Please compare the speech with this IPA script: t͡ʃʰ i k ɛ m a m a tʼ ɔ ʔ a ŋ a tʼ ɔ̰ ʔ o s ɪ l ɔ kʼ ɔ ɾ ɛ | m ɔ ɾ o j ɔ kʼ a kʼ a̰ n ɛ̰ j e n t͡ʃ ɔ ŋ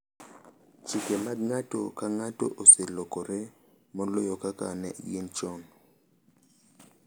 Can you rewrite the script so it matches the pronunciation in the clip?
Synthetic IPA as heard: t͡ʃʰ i k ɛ m a ŋ a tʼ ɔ k a ŋ a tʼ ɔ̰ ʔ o s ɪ l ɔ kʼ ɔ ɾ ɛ | m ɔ l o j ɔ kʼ a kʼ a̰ n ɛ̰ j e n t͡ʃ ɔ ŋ